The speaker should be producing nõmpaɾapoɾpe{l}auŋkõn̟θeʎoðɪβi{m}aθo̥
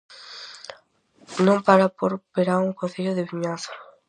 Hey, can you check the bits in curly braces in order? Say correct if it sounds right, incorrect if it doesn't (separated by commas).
incorrect, incorrect